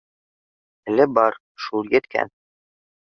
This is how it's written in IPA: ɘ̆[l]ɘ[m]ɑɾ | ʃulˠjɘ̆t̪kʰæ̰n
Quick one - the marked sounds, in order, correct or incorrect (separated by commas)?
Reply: correct, incorrect